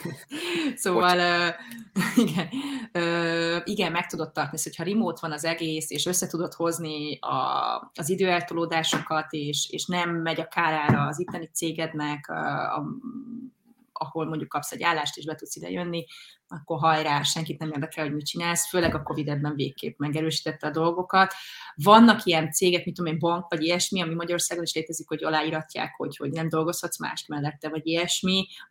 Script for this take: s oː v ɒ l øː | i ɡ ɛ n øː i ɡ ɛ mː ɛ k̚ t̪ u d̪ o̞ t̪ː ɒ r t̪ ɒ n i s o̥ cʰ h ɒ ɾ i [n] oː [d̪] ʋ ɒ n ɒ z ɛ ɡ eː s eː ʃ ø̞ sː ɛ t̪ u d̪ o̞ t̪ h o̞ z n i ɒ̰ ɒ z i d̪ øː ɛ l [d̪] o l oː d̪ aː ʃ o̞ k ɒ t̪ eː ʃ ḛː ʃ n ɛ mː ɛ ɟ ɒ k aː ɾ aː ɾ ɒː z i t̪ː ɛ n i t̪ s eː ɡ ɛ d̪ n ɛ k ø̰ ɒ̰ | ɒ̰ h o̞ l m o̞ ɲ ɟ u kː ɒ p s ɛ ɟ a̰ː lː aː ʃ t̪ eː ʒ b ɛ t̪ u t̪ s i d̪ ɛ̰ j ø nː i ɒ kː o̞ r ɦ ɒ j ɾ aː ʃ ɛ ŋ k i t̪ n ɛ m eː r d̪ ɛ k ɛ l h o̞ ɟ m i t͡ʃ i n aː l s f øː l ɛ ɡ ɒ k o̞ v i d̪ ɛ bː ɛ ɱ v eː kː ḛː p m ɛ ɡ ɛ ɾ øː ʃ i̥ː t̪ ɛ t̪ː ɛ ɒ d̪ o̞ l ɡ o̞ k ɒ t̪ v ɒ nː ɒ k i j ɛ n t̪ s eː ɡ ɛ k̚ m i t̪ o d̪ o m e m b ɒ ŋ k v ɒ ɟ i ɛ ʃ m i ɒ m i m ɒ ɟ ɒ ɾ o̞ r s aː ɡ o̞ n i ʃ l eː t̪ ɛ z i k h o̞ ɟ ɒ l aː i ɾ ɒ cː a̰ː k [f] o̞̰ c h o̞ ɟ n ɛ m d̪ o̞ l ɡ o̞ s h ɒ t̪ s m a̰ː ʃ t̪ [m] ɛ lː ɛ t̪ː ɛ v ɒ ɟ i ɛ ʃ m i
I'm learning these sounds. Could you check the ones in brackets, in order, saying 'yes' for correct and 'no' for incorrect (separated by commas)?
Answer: no, no, no, no, yes